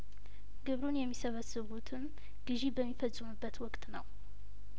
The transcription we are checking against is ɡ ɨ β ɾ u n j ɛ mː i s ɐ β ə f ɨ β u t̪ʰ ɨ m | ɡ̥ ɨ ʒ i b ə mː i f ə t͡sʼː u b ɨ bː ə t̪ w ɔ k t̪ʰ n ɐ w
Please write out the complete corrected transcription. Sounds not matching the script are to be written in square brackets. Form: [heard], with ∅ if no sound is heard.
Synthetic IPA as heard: ɡ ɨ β ɾ u n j ɛ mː i s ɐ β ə [s] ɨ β u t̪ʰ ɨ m | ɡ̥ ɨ ʒ i b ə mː i f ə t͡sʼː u [m] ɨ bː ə t̪ w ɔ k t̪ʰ n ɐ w